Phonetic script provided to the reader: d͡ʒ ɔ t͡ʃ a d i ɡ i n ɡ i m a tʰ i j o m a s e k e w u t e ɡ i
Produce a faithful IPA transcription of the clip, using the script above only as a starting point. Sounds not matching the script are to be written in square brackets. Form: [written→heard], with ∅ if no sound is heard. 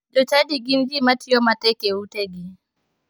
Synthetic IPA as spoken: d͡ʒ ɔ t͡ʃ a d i ɡ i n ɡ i m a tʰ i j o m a [s→t] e k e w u t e ɡ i